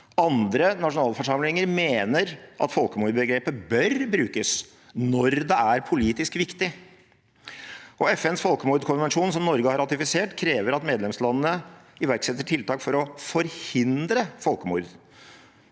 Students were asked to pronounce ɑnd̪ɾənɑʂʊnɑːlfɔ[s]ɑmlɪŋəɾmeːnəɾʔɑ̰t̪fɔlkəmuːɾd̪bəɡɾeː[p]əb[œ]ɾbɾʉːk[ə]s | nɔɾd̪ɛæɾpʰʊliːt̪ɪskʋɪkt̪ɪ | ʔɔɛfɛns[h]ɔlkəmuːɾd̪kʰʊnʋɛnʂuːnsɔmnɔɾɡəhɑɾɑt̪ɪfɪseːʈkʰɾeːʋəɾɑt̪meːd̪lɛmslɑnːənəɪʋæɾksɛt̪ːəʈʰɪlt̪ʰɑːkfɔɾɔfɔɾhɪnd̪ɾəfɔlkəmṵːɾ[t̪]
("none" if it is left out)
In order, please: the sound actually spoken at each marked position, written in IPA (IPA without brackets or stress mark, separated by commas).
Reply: ʂ, p, œ, ə, f, d̪